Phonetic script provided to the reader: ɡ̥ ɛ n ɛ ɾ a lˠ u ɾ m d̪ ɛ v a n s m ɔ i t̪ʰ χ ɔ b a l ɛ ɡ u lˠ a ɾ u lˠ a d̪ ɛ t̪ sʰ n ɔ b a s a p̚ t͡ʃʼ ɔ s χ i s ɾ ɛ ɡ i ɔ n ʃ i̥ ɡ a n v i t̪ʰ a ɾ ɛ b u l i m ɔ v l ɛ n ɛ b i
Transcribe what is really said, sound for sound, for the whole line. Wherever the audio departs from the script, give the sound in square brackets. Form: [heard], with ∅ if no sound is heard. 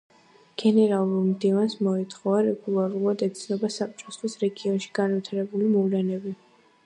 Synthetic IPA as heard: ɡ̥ ɛ n ɛ ɾ a lˠ u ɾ m d̪ [i] v a n s m ɔ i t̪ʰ χ ɔ [v] a [ɾ] ɛ ɡ u lˠ a ɾ u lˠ a d̪ ɛ t̪ sʰ n ɔ b a s a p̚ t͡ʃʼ ɔ s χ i s ɾ ɛ ɡ i ɔ n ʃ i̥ ɡ a n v i t̪ʰ a ɾ ɛ b u l i m ɔ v l ɛ n ɛ b i